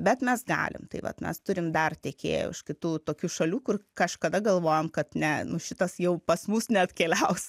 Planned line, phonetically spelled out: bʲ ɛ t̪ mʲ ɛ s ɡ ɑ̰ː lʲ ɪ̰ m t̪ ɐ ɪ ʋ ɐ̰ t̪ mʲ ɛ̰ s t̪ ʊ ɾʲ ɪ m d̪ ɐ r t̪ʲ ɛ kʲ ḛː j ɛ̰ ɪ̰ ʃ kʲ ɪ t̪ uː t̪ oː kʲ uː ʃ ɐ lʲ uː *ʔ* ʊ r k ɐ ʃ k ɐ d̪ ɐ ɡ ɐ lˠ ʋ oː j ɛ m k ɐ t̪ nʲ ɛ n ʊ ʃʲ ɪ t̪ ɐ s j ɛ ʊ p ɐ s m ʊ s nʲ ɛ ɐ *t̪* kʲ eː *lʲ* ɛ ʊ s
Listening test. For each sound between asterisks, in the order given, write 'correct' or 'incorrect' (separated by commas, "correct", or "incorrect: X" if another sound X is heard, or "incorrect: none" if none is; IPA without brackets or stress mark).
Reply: incorrect: k, correct, correct